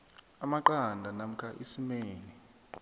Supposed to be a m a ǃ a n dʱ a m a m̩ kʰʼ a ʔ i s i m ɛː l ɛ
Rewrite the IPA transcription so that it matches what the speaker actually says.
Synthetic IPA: a m a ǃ a n dʱ a n a m̩ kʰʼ a ʔ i s i m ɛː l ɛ